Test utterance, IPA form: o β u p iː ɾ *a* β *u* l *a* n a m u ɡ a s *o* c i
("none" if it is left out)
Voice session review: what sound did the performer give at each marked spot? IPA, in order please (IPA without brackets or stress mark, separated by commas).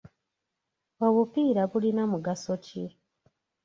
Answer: a, u, i, o